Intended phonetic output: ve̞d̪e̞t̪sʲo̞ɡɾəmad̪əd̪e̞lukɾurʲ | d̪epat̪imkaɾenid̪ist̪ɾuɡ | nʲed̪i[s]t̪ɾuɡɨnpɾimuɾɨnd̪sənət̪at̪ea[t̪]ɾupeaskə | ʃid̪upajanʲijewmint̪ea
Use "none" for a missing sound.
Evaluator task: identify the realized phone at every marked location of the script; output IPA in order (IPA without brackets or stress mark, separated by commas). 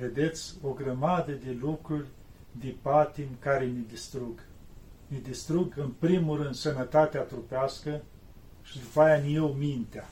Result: s, t̪